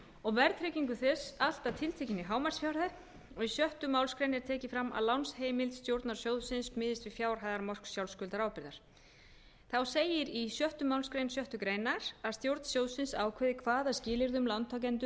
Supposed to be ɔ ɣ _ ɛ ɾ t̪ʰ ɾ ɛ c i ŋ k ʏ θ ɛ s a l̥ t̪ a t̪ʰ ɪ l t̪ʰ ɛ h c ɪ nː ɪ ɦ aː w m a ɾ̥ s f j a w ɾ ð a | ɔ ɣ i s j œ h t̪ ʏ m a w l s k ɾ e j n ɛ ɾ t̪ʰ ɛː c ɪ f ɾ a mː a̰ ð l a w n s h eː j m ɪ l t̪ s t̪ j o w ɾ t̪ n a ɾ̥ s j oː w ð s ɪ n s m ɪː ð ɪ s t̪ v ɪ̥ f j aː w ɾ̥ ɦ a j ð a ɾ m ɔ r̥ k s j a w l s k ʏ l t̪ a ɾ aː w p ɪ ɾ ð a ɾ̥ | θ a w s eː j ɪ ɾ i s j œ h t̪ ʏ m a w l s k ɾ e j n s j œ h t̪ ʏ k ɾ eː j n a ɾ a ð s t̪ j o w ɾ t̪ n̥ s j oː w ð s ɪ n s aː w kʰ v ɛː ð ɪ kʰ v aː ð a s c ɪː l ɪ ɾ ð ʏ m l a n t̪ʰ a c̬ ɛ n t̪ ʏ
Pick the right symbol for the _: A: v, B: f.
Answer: A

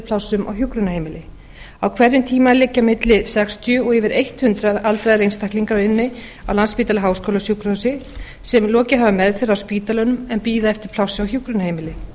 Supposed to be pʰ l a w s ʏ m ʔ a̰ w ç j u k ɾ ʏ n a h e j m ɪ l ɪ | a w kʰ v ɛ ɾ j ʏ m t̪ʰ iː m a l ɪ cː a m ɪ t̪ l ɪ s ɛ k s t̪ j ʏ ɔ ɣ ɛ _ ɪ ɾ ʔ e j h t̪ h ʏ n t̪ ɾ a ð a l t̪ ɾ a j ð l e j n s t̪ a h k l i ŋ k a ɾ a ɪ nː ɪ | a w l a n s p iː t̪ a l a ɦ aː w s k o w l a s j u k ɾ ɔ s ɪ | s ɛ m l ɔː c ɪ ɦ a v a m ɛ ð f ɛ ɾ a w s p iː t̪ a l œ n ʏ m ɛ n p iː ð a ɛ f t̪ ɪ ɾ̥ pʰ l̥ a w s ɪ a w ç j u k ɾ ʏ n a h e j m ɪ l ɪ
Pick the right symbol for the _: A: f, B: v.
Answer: B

